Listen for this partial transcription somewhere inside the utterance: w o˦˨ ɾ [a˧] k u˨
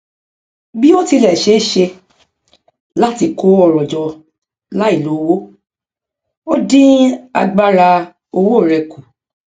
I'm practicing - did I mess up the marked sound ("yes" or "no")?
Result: yes